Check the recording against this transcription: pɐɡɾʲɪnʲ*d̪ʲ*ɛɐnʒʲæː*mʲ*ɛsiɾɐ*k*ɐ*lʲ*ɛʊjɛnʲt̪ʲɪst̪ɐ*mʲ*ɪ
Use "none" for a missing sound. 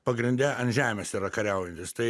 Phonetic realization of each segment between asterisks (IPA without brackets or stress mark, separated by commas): d̪ʲ, mʲ, k, ɾʲ, none